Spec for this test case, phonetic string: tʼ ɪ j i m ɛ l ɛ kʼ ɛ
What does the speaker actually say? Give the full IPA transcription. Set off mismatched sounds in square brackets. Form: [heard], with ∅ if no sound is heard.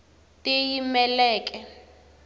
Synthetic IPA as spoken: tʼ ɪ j i m ɛ l [ɛː] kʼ ɛ